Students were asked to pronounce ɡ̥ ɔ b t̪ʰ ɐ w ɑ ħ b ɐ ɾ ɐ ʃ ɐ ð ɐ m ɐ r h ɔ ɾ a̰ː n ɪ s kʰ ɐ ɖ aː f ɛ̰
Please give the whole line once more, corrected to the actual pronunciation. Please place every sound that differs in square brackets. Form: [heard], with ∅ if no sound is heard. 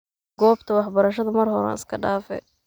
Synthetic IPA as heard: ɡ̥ [ɔː] b t̪ʰ ɐ w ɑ ħ b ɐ ɾ ɐ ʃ ɐ ð ɐ m ɐ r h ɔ ɾ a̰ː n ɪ s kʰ ɐ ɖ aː f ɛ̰